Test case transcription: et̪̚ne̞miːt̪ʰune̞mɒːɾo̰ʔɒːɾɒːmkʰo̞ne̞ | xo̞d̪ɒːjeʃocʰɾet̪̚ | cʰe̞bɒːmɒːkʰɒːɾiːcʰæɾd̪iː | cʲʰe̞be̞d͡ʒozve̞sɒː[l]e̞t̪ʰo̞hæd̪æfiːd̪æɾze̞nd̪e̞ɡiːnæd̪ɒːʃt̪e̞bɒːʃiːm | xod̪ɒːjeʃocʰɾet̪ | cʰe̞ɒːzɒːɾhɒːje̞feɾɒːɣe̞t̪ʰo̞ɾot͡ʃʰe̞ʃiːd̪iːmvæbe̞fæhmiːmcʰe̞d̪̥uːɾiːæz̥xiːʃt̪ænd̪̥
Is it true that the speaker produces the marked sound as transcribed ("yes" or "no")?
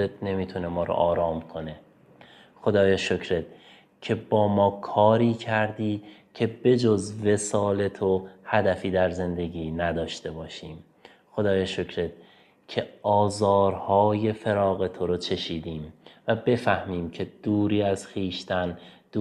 yes